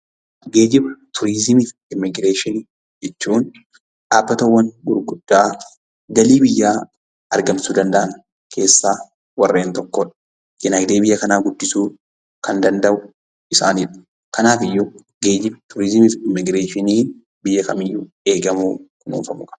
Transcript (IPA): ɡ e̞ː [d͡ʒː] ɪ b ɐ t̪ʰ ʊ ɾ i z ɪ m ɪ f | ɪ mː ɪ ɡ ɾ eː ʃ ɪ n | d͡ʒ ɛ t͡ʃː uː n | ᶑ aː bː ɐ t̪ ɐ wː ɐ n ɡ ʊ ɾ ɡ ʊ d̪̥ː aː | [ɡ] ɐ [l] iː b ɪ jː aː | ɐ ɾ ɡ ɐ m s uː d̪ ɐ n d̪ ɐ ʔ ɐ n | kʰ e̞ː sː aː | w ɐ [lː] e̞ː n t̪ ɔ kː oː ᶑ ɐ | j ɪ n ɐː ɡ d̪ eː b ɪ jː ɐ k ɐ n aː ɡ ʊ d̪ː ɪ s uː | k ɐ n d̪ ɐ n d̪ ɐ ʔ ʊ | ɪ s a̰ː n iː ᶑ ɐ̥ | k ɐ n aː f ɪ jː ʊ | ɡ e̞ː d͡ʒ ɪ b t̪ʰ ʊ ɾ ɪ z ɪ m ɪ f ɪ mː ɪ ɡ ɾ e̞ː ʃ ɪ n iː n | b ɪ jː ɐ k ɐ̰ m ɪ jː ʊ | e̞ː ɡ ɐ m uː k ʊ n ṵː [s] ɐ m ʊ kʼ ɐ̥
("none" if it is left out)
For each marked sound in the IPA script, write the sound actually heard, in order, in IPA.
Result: d͡ʒ, ɡ, l, rː, f

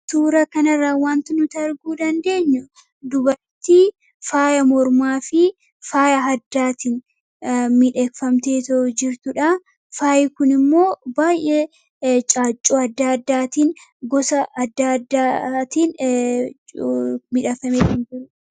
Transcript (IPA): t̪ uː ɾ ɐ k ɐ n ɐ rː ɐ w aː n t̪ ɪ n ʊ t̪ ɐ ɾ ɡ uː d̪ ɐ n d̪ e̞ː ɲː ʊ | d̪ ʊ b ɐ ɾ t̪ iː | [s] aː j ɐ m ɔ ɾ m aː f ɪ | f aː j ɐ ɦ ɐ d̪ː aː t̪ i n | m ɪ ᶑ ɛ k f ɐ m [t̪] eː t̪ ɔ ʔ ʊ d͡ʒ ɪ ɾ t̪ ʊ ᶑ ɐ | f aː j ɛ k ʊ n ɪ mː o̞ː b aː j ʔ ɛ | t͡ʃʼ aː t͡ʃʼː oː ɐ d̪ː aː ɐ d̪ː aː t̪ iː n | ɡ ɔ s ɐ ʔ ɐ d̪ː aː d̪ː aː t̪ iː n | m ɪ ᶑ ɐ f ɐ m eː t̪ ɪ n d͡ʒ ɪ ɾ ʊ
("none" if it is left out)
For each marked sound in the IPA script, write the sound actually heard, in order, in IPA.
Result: f, t̪

